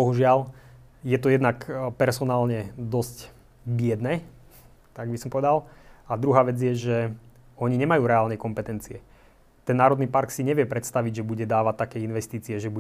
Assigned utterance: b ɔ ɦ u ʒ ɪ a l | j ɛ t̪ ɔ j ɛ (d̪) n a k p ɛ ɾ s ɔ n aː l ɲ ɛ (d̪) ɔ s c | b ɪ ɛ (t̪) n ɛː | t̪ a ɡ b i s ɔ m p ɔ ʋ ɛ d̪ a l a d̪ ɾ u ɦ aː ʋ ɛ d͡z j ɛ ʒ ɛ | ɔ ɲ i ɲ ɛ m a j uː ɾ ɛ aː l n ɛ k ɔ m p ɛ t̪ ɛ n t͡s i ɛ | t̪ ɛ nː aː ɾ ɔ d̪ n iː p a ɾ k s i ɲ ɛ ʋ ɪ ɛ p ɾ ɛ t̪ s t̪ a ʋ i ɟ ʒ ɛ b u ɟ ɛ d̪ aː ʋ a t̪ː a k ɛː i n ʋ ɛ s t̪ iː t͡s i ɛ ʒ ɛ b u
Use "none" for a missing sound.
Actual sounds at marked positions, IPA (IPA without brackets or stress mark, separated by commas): d̪, d̪, d̪